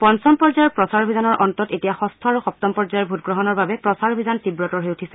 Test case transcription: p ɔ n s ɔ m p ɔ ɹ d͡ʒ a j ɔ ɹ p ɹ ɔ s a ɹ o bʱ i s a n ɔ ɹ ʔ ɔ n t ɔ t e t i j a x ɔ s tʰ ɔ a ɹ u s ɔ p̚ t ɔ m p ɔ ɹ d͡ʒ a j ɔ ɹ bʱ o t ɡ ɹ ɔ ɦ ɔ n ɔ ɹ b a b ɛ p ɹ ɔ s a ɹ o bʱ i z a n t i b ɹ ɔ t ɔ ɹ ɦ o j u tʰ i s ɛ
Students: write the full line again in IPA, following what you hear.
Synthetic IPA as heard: p ɔ n s ɔ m p ɔ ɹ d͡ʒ a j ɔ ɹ p ɹ ɔ s a ɹ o bʱ i z a n ɔ ɹ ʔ ɔ n t ɔ t e t i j a x ɔ s tʰ ɔ a ɹ u x ɔ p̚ t ɔ m p ɔ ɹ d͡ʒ a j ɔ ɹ bʱ u t ɡ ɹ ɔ ɦ ɔ n ɔ ɹ b a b ɛ p ɹ ɔ s a ɹ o bʱ i z a n t i b ɹ ɔ t ɔ ɹ ɦ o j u tʰ i s ɛ

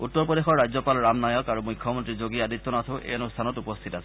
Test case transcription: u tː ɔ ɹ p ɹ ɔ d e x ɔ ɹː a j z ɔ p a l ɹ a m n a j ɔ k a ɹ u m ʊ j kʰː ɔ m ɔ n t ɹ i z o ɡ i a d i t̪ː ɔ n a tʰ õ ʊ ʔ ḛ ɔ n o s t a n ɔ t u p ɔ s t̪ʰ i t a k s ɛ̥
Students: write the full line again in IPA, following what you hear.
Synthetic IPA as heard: u tː ɔ ɹ p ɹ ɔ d e x ɔ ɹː a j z ɔ p a l ɹ a m n a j ɔ k a ɹ u m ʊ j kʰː ɔ m ɔ n t ɹ i z o ɡ i a d i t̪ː ɔ n a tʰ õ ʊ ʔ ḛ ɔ n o s tʰ a n ɔ t u p ɔ s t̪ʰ i t a s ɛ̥

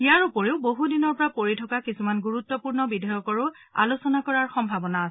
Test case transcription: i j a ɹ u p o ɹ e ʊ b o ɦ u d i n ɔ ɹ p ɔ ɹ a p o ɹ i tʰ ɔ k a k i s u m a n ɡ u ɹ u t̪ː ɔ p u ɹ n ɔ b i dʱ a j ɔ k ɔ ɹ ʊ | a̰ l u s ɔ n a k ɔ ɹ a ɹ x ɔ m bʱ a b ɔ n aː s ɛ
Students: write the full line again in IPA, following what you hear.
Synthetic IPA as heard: i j a ɹ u p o ɹ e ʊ b o ɦ u d i n ɔ ɹ p ɔ ɹ a p o ɹ i tʰ ɔ k a k i s u m a n ɡ u ɹ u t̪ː ɔ p u ɹ n ɔ b i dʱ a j ɔ k ɔ ɹ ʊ | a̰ l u s ɔ n a k ɔ ɹ a ɹ x ɔ m bʱ a b ɔ n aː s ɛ

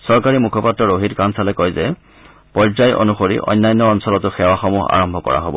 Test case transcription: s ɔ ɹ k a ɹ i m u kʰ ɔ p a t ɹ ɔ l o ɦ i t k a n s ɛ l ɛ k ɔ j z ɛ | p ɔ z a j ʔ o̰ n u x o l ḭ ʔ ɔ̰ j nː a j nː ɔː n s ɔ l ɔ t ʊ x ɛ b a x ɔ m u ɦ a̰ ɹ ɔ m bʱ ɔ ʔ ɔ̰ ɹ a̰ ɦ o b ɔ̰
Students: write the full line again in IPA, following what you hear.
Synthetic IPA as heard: s ɔ ɹ k a ɹ i m u kʰ ɔ p a t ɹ ɔ ɹ o ɦ i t k a n s a l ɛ k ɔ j z ɛ | p ɔ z a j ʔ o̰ n u x o ɹ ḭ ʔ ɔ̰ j nː a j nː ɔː n s ɔ l ɔ t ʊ x ɛ w a x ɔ m u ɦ a̰ ɹ ɔ m bʱ ɔ k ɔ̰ ɹ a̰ ɦ o b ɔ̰

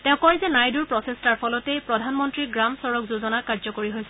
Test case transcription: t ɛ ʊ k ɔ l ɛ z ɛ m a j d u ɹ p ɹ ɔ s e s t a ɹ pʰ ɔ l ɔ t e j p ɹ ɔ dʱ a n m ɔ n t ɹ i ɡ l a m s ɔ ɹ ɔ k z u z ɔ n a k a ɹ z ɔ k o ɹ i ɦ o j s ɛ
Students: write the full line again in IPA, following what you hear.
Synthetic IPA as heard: t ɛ ʊ k ɔ ɹ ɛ z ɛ n a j d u ɹ p ɹ ɔ s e s t a ɹ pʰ ɔ l ɔ t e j p ɹ ɔ dʱ a n m ɔ n t ɹ i ɡ ɹ a m s ɔ ɹ ɔ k z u z ɔ n a k a ɹ z ɔ k o ɹ i ɦ o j s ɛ

